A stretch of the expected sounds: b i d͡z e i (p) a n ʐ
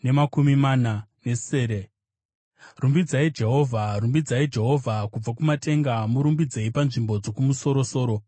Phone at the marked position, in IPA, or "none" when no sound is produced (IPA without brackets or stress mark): p